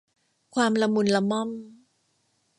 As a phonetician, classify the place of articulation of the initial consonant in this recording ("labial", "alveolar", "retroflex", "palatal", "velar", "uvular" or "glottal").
velar